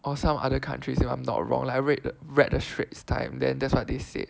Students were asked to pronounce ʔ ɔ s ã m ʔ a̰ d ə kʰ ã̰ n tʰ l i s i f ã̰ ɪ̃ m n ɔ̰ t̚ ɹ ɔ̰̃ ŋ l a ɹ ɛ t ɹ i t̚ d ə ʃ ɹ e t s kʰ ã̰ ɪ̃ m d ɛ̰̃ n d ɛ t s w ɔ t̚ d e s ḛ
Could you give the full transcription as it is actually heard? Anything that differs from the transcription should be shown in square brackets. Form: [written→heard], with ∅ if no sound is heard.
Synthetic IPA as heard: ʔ ɔ s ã m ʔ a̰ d ə kʰ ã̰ n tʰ [l→ɹ] i s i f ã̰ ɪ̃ m n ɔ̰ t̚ ɹ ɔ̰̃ ŋ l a ɹ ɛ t ɹ [i→ɛ] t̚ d ə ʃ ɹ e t s [kʰ→tʰ] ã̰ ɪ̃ m d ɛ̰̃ n d ɛ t s w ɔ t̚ d e s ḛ